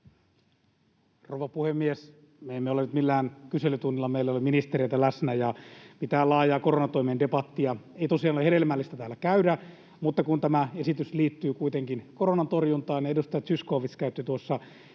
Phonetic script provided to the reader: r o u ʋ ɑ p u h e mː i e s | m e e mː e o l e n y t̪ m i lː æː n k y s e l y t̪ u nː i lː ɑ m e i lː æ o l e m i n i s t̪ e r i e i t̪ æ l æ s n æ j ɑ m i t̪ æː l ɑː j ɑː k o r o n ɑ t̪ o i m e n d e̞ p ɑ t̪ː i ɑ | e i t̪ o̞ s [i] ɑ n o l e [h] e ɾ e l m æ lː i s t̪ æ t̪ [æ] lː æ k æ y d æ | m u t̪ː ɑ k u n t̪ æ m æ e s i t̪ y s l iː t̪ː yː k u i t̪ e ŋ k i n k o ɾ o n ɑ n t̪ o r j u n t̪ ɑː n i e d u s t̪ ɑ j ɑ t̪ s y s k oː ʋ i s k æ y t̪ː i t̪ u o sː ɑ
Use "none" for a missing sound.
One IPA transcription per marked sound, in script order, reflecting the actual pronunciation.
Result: i, h, æː

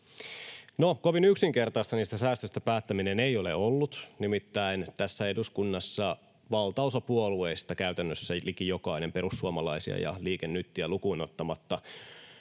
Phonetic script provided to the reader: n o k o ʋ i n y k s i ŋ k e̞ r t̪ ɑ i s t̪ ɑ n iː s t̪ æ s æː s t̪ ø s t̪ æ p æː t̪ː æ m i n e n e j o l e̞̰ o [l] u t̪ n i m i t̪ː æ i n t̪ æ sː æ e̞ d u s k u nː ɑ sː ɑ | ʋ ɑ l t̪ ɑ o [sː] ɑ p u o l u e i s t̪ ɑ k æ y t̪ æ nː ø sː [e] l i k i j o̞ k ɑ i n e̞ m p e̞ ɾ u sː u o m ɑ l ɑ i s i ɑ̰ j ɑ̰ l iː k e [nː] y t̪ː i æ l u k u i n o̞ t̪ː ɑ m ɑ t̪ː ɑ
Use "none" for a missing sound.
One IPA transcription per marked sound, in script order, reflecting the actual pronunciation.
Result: lː, s, æ, nː

